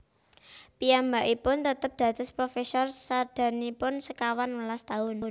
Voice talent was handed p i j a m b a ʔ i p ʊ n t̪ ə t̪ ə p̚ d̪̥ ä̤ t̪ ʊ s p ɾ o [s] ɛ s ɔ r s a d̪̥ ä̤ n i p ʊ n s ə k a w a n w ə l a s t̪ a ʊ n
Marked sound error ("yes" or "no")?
yes